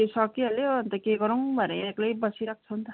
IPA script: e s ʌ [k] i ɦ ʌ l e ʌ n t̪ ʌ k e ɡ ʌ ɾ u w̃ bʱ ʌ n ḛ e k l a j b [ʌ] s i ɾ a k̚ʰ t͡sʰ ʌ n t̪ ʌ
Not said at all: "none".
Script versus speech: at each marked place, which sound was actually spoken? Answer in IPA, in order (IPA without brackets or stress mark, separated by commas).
k, ʌ